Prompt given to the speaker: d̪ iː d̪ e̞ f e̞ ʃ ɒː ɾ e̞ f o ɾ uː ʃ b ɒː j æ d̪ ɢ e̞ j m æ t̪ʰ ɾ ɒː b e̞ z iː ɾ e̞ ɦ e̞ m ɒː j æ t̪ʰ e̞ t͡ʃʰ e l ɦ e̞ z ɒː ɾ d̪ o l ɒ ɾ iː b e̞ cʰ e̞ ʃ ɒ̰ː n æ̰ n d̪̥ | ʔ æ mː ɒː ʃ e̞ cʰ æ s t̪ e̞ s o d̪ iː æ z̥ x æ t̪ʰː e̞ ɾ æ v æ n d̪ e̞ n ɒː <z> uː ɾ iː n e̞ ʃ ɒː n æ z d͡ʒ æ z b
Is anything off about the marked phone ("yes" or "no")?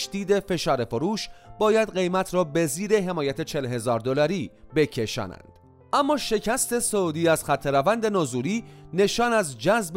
no